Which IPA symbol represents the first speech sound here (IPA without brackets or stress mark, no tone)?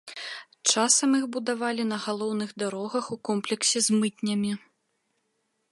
t͡ʂ